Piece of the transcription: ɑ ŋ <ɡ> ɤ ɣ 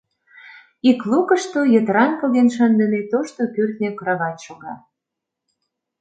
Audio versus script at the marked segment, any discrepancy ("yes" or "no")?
yes